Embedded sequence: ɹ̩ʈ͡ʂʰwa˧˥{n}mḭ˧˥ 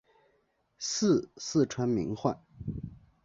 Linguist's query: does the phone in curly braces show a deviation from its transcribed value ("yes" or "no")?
no